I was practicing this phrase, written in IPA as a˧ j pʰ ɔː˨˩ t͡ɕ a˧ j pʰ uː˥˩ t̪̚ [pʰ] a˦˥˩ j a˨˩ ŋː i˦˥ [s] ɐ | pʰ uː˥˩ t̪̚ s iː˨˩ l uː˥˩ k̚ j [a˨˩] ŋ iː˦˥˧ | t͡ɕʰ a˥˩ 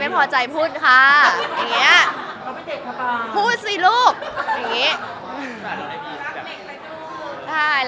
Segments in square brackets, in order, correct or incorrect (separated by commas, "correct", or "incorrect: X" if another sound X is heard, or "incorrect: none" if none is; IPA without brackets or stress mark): incorrect: kʰ, incorrect: none, correct